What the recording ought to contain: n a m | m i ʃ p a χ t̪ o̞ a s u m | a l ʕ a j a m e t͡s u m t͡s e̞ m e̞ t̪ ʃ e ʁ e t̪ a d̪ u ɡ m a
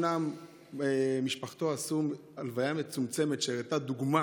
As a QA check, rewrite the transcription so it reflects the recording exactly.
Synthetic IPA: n a m | m i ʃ p a χ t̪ o̞ a s u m | a l v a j a m e t͡s u m t͡s e̞ m e̞ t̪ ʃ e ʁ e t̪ a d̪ u ɡ m a